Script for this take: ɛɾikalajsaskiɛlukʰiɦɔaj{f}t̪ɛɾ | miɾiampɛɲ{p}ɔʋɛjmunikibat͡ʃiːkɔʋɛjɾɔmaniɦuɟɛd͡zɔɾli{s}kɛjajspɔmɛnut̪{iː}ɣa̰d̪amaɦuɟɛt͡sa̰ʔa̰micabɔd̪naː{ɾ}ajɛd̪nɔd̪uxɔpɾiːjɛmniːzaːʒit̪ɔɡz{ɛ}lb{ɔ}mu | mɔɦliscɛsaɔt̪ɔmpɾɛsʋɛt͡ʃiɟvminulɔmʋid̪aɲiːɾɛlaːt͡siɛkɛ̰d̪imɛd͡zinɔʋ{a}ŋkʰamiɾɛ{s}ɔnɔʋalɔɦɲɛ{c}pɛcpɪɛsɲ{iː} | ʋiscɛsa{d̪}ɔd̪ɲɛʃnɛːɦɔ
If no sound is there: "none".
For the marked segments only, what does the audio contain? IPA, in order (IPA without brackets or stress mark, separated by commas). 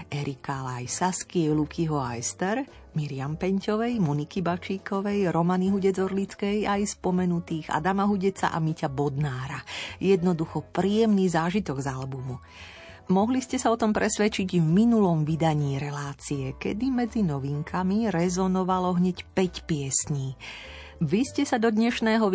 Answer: s, c, t͡s, iː, ɾ, a, u, i, z, c, iː, d̪